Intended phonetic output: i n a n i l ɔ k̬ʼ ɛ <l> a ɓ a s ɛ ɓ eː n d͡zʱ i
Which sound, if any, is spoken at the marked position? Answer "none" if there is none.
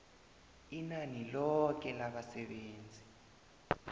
l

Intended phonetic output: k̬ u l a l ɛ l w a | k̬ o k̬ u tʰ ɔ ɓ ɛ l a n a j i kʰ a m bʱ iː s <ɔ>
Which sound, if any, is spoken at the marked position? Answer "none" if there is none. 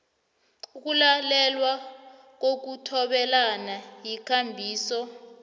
ɔ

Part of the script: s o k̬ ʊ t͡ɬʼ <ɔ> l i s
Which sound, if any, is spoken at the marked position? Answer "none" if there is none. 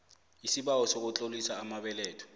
o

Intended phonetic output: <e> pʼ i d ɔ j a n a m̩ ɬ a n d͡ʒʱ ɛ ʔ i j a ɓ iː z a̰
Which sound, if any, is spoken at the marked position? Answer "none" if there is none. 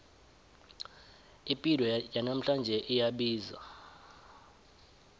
i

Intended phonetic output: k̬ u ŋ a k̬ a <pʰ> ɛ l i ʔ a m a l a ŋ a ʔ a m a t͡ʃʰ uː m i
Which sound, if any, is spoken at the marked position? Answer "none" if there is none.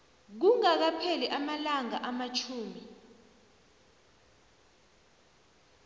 pʰ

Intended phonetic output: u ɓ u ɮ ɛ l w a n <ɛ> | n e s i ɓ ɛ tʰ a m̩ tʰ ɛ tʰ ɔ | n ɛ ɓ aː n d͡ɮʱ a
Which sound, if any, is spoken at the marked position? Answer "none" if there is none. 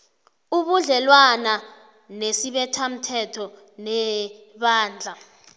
a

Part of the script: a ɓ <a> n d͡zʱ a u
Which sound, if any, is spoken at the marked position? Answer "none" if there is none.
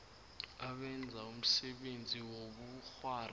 ɛ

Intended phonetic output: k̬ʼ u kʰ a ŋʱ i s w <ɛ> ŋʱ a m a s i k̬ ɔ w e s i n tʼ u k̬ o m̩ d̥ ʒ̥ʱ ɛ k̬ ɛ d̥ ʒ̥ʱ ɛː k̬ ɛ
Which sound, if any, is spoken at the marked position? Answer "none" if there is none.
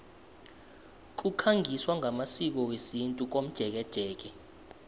a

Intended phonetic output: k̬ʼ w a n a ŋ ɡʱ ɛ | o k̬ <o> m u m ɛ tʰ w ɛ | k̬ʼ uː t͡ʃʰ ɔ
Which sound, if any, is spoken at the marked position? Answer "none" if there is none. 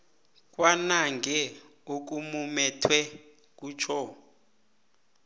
u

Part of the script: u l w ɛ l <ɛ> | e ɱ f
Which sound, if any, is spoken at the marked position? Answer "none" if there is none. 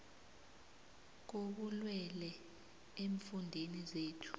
ɛ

